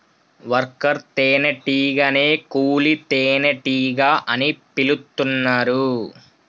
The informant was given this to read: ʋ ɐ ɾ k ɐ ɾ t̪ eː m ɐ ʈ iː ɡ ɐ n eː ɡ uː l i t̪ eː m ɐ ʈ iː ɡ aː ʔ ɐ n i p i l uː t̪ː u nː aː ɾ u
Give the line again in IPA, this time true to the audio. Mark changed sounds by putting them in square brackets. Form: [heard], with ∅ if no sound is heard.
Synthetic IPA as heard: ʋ ɐ ɾ k ɐ ɾ t̪ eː [n] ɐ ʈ iː ɡ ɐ n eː [k] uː l i t̪ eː [n] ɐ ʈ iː ɡ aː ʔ ɐ n i p i l [u] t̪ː u nː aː ɾ u